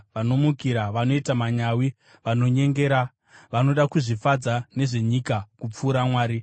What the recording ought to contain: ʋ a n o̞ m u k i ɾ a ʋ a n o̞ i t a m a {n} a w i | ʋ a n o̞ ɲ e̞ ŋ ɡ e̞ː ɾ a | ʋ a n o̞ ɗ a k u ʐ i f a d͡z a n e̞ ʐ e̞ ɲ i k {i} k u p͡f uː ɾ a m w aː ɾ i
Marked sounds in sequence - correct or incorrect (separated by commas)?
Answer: incorrect, incorrect